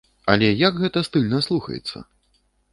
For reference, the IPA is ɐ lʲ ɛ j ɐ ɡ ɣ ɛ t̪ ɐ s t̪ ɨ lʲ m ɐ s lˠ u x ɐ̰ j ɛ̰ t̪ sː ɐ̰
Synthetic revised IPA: ɐ lʲ ɛ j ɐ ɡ ɣ ɛ t̪ ɐ s t̪ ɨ lʲ n ɐ s lˠ u x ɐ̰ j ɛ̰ t̪ sː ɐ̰